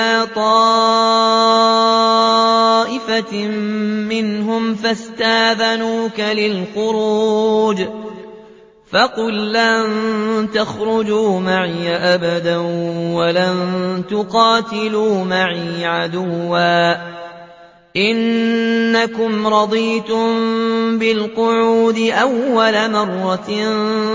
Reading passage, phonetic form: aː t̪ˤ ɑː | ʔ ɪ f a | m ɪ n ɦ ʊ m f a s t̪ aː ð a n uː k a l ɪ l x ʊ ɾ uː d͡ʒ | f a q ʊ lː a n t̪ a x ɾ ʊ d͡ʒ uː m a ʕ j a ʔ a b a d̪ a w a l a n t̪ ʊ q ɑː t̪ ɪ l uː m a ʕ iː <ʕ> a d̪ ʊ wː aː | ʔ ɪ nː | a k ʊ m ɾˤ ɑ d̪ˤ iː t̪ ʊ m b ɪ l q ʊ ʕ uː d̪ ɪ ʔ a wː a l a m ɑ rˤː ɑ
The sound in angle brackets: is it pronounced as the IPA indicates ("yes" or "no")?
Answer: yes